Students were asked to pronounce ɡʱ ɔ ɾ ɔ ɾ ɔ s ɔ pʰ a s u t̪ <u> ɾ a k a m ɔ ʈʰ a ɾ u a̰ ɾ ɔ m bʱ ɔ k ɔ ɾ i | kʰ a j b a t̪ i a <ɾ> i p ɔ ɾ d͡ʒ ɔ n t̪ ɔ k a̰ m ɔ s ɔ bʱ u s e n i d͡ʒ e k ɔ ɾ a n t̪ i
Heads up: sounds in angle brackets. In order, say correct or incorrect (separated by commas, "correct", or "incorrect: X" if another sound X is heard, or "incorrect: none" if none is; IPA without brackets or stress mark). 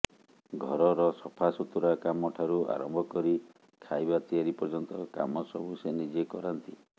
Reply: correct, correct